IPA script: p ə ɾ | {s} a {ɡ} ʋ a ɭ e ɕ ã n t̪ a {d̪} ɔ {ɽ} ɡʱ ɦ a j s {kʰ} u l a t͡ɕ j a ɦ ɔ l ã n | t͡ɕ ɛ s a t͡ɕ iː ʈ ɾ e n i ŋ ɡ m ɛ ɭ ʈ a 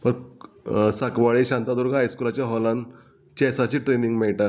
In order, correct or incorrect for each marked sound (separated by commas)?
correct, incorrect, correct, incorrect, incorrect